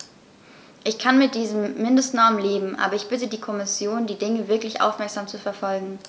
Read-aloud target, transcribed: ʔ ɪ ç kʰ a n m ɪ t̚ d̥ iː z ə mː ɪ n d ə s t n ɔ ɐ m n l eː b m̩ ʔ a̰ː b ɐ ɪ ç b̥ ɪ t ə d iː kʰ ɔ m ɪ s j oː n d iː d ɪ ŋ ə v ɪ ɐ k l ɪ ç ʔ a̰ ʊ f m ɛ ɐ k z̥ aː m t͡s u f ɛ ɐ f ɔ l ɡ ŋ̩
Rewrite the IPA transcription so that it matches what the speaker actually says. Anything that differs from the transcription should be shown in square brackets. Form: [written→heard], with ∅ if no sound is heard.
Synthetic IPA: ʔ ɪ ç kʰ a n m ɪ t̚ d̥ iː z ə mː ɪ n d ə s t n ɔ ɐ m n l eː b m̩ ʔ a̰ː b ɐ ɪ ç b̥ ɪ t ə d iː kʰ ɔ m ɪ s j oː n d iː d ɪ ŋ ə v ɪ ɐ k l ɪ ç ʔ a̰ ʊ f m ɛ ɐ k z̥ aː m t͡s u f ɛ ɐ f ɔ l ɡ ŋ̩